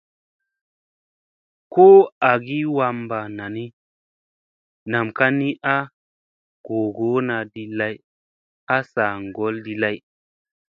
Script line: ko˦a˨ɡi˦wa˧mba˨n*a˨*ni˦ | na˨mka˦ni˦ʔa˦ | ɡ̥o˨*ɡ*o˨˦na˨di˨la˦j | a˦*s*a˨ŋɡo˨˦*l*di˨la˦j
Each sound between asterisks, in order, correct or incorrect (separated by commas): correct, correct, correct, correct